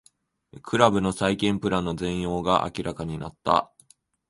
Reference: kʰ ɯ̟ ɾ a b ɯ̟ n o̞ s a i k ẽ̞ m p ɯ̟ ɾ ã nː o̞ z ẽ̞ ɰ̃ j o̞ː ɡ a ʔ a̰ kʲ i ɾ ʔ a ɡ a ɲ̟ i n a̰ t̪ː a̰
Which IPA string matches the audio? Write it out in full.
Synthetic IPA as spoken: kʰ ɯ̟ ɾ a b ɯ̟ n o̞ s a i k ẽ̞ m p ɯ̟ ɾ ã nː o̞ z ẽ̞ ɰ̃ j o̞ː ɡ a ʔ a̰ kʲ i ɾ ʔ a k a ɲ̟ i n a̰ t̪ː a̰